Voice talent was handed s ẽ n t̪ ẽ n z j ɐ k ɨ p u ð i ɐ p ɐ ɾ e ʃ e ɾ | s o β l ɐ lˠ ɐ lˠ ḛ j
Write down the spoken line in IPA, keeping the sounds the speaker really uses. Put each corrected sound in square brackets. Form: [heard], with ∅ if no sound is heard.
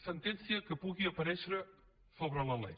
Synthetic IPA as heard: s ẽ n t̪ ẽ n [s] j ɐ k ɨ p u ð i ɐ p ɐ ɾ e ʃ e ɾ | s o β [ɾ] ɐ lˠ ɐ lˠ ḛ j